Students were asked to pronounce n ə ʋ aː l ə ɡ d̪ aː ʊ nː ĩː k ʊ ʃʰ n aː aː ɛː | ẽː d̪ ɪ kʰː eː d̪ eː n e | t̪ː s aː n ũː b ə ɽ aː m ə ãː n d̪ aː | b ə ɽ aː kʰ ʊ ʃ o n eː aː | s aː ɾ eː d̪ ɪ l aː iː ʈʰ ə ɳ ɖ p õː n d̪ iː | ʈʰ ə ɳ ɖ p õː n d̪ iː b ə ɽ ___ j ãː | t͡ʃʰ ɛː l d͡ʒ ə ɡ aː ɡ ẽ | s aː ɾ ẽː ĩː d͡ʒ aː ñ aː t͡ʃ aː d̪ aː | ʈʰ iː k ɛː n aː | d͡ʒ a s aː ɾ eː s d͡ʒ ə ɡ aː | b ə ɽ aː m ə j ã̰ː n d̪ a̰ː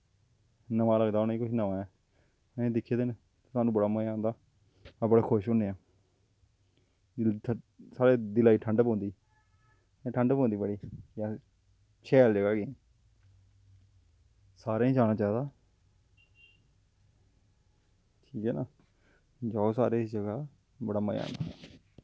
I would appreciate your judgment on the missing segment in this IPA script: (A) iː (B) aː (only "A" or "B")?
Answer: A